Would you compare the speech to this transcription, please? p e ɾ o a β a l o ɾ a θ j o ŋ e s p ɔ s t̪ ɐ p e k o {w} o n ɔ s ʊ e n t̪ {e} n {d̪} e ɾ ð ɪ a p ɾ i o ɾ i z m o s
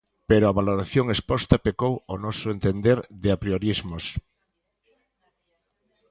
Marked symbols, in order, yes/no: yes, yes, yes

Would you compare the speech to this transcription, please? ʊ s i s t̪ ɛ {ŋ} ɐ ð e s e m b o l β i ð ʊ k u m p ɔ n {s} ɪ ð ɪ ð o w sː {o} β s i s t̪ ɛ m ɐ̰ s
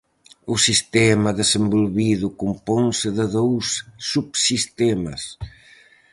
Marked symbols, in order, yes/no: no, yes, no

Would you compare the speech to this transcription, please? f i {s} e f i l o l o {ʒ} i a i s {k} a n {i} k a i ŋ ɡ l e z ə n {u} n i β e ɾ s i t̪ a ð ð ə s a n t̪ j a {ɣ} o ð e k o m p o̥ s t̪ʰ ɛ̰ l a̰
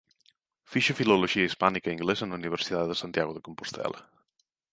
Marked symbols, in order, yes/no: no, yes, no, yes, yes, yes

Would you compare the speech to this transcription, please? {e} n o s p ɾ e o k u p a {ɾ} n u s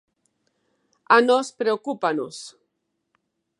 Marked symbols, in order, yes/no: no, no

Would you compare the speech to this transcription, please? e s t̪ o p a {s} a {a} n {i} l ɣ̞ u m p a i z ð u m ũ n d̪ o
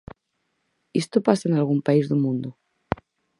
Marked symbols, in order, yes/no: yes, no, no

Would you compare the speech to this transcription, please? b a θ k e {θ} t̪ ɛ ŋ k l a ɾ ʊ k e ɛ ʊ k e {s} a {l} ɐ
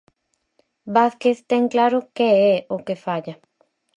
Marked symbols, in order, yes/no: yes, no, no

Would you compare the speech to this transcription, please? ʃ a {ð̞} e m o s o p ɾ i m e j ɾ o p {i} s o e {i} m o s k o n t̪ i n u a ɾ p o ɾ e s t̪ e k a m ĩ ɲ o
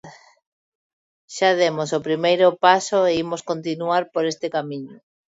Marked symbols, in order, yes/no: yes, no, yes

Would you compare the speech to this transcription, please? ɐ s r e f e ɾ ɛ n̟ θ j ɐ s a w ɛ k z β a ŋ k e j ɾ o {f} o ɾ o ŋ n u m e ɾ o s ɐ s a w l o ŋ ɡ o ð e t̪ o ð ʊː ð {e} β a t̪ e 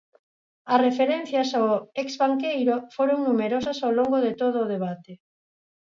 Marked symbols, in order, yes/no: yes, yes

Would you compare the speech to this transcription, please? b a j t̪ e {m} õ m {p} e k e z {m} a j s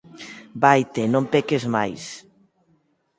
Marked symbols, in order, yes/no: no, yes, yes

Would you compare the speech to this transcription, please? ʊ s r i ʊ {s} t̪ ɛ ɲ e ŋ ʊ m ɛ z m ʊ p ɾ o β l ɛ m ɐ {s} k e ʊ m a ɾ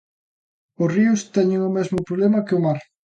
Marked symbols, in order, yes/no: yes, no

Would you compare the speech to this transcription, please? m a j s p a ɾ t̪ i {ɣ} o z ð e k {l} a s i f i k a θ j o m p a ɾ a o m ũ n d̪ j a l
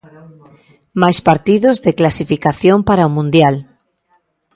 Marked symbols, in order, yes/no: no, yes

